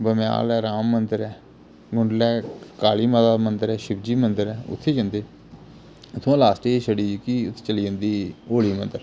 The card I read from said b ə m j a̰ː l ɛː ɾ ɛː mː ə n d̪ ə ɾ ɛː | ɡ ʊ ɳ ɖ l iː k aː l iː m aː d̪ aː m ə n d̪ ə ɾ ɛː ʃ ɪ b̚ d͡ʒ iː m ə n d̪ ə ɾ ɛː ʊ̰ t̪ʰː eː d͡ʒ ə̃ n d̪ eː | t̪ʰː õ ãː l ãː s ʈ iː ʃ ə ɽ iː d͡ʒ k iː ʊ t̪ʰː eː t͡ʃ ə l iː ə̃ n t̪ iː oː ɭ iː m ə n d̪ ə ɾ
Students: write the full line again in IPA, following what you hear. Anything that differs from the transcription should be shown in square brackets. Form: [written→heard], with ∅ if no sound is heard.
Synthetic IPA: b ə m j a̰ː l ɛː ɾ [ɛː→aː] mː ə n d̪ ə ɾ ɛː | ɡ ʊ ɳ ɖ l [iː→ɛː] k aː l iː m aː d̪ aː m ə n d̪ ə ɾ ɛː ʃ ɪ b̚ d͡ʒ iː m ə n d̪ ə ɾ ɛː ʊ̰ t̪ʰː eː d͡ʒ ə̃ n d̪ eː | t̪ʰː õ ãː l [ãː→aː] s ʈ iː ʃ ə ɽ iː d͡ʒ k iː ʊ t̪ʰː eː t͡ʃ ə l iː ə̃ n [t̪→d̪] iː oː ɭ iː m ə n d̪ ə ɾ